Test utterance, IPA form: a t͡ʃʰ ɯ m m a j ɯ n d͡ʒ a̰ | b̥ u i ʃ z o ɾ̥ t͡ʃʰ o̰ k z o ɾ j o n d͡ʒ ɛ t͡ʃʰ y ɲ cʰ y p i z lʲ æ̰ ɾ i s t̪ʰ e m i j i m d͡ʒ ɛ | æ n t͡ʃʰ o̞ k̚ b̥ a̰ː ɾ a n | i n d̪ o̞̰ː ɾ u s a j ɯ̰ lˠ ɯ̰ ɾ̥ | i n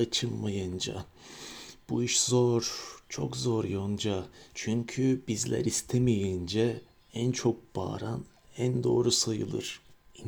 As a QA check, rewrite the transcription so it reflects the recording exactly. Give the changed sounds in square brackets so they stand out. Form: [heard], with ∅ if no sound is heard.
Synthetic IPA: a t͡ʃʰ ɯ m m a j ɯ n d͡ʒ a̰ | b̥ u i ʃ z o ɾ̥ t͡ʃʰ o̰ k z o ɾ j o n d͡ʒ [a] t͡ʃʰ y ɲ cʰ y [b] i z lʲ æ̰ ɾ i s t̪ʰ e m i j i [n] d͡ʒ ɛ | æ n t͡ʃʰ o̞ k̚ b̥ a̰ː ɾ a n | [æ] n d̪ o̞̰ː ɾ u s a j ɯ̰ lˠ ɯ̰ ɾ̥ | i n